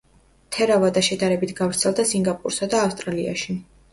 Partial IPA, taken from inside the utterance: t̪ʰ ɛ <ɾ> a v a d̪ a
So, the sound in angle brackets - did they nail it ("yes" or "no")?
yes